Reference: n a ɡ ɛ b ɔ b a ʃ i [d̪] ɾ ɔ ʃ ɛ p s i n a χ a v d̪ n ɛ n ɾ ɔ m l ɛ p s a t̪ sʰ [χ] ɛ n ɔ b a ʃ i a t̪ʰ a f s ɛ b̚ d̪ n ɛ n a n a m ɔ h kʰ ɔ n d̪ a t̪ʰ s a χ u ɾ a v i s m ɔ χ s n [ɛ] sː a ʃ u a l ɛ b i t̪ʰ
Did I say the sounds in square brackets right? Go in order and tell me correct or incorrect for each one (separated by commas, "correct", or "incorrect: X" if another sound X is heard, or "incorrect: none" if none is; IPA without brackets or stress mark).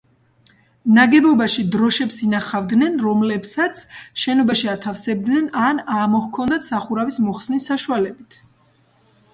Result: correct, incorrect: ʃ, incorrect: i